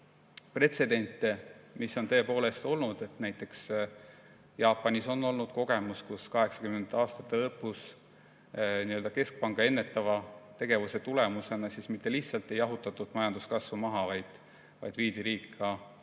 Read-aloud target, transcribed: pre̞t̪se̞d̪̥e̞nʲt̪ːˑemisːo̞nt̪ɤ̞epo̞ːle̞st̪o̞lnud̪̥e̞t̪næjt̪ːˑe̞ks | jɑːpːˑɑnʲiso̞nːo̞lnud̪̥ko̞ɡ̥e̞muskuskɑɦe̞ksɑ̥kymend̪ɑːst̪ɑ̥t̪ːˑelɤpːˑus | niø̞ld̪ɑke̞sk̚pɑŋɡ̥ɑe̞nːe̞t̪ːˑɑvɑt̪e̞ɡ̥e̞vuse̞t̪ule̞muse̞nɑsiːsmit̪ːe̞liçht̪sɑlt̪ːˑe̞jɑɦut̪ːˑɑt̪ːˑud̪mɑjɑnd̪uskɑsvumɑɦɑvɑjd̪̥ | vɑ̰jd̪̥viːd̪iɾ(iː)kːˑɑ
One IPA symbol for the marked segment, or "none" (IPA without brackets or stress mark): iː